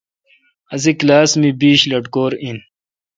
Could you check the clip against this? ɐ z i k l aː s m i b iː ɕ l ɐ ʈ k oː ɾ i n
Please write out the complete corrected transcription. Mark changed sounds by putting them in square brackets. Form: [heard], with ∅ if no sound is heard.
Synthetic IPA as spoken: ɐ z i k l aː s m i b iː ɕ l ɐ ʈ k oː ɾ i n